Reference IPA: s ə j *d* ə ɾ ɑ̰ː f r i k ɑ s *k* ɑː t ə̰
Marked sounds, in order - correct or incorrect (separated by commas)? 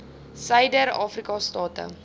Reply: correct, incorrect